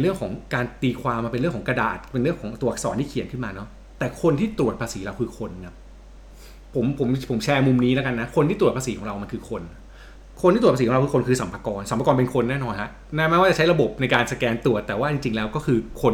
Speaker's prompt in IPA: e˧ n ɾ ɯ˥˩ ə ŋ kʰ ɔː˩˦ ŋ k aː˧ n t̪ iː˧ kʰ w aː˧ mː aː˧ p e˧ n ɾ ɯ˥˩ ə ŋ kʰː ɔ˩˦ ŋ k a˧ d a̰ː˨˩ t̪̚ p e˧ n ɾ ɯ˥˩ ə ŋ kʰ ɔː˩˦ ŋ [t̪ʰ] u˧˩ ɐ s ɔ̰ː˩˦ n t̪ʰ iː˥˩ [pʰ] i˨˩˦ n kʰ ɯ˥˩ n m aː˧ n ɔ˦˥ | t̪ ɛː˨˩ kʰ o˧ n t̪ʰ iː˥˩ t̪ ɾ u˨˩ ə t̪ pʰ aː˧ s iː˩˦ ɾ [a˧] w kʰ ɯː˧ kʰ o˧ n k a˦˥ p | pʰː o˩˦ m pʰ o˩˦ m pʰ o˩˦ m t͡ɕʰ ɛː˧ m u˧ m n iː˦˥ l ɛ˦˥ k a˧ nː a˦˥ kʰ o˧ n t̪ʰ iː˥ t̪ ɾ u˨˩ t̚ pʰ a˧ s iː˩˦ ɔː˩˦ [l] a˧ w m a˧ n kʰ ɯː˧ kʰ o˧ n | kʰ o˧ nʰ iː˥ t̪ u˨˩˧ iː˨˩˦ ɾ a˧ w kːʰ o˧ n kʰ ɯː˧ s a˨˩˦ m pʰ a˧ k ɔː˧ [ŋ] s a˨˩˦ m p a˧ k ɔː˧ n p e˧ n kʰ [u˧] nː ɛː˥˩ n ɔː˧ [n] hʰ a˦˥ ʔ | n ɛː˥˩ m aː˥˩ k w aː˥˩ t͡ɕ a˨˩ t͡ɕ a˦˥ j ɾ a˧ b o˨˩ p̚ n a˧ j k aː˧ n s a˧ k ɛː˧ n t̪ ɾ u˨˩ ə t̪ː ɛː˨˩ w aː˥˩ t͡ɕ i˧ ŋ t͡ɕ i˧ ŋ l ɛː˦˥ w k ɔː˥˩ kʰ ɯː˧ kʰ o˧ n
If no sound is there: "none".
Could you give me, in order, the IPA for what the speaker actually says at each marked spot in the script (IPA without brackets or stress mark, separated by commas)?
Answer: t̪, kʰ, a˧, ɾ, n, o˧, n